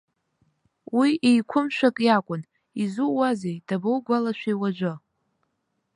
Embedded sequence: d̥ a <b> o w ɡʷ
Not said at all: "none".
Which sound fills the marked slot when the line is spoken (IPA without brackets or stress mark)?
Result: b